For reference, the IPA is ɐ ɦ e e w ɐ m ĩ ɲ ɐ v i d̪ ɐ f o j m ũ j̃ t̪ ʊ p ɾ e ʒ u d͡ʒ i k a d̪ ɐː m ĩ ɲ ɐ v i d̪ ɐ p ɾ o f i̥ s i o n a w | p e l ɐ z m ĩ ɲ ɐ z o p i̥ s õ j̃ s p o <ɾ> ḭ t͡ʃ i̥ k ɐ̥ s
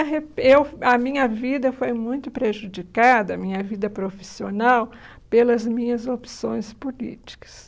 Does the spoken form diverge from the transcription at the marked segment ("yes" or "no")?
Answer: yes